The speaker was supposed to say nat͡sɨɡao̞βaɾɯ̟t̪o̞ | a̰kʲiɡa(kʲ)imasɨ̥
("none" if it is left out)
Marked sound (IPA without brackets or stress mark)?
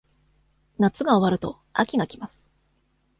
kʲ